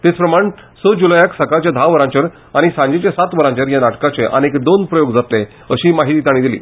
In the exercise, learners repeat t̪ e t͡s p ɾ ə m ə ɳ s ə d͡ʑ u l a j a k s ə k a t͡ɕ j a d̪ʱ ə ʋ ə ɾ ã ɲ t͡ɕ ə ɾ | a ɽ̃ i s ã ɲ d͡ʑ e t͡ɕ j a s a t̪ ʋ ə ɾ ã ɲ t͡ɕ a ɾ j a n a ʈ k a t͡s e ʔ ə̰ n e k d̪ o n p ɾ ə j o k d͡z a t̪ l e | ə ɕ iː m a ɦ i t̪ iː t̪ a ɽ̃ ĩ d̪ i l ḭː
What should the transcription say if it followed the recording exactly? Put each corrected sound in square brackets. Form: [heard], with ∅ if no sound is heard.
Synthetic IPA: t̪ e t͡s p ɾ ə m [a] ɳ s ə d͡ʑ u l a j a k s ə k a t͡ɕ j a d̪ʱ [a] ʋ ə ɾ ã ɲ t͡ɕ ə ɾ | a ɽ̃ i s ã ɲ d͡ʑ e t͡ɕ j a s a t̪ ʋ ə ɾ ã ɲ t͡ɕ [ə] ɾ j a n a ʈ k a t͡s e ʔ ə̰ n e k d̪ o n p ɾ ə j o [ɡ] d͡z a t̪ l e | ə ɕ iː m a ɦ i t̪ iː t̪ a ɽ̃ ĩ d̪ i l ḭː